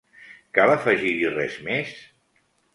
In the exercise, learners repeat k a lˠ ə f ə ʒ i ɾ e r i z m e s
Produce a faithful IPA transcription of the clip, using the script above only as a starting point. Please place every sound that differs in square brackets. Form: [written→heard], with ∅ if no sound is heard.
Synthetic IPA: k a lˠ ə f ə ʒ i ɾ [e→i] r [i→ɛ] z m e s

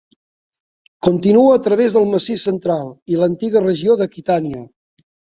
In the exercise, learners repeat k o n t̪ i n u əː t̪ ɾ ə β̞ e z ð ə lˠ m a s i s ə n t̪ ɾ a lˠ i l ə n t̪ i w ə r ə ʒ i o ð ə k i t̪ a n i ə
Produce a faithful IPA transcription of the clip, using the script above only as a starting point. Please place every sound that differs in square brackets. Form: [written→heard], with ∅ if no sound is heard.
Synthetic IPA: k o n t̪ i n u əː t̪ ɾ ə β̞ e z ð ə lˠ m [a→ə] s i s ə n t̪ ɾ a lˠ i l ə n t̪ i [w→ɣ] ə r ə ʒ i o ð ə k i t̪ a n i ə

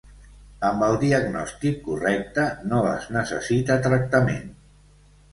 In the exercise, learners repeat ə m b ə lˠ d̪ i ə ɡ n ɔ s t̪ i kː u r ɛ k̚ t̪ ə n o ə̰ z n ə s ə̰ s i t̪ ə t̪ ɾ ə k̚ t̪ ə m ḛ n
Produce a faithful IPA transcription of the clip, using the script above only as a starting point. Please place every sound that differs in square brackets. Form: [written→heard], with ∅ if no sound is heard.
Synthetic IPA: ə m b ə lˠ d̪ i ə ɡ n ɔ s t̪ i kː u r ɛ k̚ t̪ ə n o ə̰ z n ə s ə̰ s i t̪ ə t̪ ɾ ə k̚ t̪ ə m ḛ n

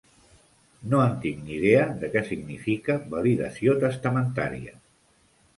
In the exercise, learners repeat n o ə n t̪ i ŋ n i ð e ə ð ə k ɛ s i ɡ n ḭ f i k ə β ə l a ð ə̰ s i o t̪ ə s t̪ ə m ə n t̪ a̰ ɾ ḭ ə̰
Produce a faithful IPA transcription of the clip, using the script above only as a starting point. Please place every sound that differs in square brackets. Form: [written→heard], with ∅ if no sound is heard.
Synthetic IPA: n o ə n t̪ i ŋ n i ð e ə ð ə k ɛ s i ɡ n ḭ f i k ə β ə l [a→i] ð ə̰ s i o t̪ ə s t̪ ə m ə n t̪ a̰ ɾ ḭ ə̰

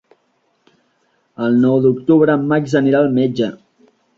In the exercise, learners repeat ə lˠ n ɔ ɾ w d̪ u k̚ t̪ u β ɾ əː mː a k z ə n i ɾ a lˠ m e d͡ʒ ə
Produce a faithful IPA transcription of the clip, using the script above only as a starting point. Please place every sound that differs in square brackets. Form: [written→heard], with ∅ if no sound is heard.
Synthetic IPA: ə lˠ n ɔ [ɾ→∅] w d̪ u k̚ t̪ u β ɾ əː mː a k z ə n i ɾ a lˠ m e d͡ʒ ə

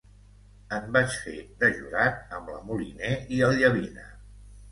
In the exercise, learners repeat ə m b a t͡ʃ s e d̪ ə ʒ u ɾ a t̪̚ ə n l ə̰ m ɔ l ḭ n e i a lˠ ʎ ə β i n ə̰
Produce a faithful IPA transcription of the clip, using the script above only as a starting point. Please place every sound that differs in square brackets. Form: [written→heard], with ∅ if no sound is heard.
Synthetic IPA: ə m b a t͡ʃ [s→f] e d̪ ə ʒ u ɾ a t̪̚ ə [n→m] l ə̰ m [ɔ→u] l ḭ n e i [a→ə] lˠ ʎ ə β i n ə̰

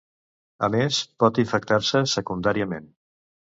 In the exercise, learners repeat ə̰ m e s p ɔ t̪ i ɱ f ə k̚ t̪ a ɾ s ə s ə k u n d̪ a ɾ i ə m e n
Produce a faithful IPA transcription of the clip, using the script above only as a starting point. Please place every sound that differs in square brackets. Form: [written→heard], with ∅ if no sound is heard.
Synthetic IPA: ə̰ m e s p ɔ t̪ i ɱ f ə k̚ t̪ a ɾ s ə s ə k u n d̪ a ɾ i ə m e n

